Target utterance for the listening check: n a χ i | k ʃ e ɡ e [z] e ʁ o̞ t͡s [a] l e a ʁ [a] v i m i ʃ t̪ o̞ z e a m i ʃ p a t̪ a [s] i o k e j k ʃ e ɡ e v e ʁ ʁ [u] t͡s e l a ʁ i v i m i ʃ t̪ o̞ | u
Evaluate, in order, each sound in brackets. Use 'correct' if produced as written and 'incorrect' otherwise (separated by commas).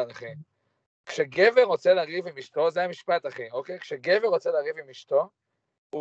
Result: incorrect, incorrect, incorrect, incorrect, incorrect